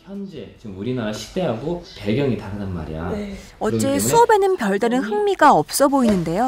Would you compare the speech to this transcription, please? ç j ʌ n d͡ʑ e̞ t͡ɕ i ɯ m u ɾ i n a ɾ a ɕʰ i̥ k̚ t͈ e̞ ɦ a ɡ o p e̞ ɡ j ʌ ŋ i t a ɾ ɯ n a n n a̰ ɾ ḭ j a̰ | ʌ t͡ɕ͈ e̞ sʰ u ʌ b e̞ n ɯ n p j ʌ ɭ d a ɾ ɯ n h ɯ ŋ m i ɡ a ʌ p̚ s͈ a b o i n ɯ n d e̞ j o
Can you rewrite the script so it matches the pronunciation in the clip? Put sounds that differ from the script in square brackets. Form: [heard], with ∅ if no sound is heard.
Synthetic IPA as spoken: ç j ʌ n d͡ʑ e̞ t͡ɕ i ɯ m u ɾ i n a ɾ a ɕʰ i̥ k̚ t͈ e̞ ɦ a ɡ o p e̞ ɡ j ʌ ŋ i t a ɾ ɯ n a n [m] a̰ ɾ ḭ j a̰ | ʌ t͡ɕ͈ e̞ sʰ u ʌ b e̞ n ɯ n p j ʌ ɭ d a ɾ ɯ n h ɯ ŋ m i ɡ a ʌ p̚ s͈ [ʌ] b o i n ɯ n d e̞ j o